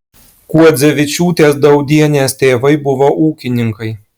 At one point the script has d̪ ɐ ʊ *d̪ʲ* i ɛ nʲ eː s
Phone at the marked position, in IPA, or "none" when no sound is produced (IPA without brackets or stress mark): d̪ʲ